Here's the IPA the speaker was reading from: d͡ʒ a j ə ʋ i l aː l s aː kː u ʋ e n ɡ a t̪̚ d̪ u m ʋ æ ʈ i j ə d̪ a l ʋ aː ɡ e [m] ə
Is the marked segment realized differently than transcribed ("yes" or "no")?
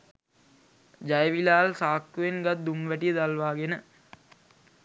yes